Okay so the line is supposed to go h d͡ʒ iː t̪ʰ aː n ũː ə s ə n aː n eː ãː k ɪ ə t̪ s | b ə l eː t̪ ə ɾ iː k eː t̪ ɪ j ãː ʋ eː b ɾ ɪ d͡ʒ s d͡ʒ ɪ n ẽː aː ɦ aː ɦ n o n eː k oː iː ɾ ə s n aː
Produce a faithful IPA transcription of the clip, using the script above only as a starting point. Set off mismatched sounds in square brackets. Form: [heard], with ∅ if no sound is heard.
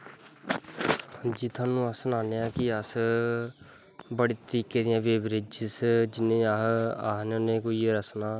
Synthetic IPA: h d͡ʒ iː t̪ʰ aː n ũː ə s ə n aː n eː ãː k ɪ ə [∅] s | b ə [ɽ] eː t̪ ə ɾ iː k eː [d̪] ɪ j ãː ʋ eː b ɾ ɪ d͡ʒ s d͡ʒ ɪ n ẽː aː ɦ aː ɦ n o n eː k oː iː ɾ ə s n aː